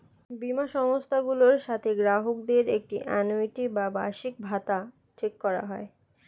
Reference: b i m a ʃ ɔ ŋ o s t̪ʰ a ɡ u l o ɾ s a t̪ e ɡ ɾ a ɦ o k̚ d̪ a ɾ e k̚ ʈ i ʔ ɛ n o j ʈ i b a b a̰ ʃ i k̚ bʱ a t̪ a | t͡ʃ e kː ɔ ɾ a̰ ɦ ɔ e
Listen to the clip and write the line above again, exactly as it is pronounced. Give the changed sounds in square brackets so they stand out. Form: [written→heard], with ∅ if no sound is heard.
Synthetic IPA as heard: b i m a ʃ ɔ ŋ o s t̪ʰ a ɡ u l o ɾ [s→ʃ] a [t̪→t̪ʰ] e ɡ ɾ a ɦ o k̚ d̪ [a→e] ɾ e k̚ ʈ i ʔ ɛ n o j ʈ i b a b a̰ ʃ i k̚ bʱ a t̪ a | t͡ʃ e kː ɔ ɾ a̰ ɦ ɔ e